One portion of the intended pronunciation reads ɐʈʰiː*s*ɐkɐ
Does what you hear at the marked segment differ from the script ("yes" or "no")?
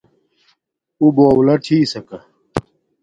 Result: no